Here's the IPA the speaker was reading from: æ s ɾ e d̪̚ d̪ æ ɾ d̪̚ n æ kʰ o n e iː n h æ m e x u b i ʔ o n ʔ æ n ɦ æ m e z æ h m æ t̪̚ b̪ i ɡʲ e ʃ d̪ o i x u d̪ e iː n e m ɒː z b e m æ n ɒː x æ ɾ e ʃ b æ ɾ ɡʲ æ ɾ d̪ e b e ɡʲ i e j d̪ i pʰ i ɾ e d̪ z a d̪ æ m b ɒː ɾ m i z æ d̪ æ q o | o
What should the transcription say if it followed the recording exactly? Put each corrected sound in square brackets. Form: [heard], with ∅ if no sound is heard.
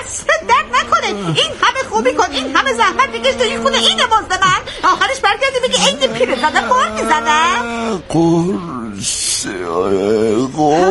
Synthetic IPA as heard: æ s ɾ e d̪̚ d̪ æ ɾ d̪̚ n æ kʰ o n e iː n h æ m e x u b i [k] o n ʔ [i] n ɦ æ m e z æ h m æ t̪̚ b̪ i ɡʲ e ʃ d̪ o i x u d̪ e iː n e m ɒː z b e m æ n ɒː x æ ɾ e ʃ b æ ɾ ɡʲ æ ɾ d̪ [i] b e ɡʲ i e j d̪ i pʰ i ɾ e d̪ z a d̪ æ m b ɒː ɾ m i z æ d̪ æ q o | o